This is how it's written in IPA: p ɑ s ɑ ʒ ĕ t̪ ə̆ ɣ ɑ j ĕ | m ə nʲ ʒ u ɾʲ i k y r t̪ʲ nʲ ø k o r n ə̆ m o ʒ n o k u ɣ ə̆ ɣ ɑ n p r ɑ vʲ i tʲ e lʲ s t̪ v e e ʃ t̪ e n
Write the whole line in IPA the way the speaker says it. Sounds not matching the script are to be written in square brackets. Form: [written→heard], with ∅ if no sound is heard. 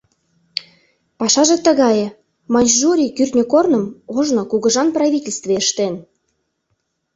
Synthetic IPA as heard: p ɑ [s→ʃ] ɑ ʒ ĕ t̪ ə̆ ɣ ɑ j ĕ | m [ə→ɑ] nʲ ʒ u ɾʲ i k y r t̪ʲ nʲ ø k o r n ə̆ m o ʒ n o k u ɣ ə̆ [ɣ→ʒ] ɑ n p r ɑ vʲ i tʲ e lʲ s t̪ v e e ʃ t̪ e n